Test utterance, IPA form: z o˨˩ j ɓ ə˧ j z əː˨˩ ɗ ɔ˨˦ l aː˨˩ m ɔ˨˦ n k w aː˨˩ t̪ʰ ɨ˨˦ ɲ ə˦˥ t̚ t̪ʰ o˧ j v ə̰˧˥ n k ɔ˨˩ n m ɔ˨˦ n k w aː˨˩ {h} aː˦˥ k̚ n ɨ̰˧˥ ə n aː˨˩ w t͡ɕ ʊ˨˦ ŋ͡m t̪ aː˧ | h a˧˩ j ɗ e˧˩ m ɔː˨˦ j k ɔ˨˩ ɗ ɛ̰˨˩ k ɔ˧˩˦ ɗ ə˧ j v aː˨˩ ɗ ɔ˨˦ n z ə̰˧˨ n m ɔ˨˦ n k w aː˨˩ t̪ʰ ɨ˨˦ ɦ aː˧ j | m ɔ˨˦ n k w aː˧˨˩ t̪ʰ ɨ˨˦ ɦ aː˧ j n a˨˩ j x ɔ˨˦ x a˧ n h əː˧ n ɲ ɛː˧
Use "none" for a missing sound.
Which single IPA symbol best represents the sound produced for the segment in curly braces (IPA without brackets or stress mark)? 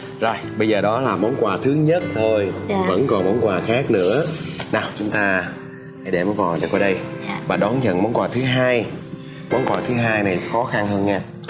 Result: x